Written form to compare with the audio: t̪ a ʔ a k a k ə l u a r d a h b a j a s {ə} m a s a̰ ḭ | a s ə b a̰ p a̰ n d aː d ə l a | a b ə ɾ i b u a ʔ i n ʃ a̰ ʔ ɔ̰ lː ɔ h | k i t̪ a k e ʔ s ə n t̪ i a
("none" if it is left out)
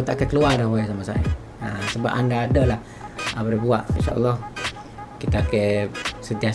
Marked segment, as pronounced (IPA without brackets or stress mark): a